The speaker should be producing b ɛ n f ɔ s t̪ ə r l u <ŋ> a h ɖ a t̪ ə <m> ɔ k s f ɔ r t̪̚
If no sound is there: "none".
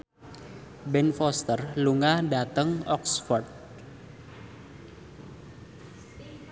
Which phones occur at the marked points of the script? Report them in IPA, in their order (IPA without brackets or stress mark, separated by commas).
ŋ, ŋ